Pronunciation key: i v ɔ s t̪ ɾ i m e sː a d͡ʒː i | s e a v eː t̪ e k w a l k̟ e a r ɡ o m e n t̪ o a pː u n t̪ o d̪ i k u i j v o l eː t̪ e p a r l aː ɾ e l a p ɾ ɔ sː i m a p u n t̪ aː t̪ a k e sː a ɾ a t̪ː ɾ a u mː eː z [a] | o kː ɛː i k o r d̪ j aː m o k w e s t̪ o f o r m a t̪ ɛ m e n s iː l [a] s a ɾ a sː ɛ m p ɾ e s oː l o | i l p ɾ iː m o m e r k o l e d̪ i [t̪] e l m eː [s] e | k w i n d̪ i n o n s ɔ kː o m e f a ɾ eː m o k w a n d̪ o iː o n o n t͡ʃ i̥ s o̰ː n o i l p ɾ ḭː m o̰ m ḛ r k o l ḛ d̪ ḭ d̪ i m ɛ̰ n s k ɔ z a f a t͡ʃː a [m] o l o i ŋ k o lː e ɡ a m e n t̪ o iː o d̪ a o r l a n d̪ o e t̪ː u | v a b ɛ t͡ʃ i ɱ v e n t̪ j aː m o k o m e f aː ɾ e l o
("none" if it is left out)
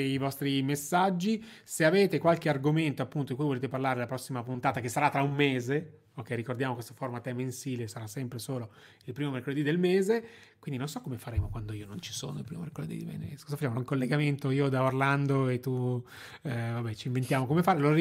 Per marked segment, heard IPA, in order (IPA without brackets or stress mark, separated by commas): e, e, d̪, z, m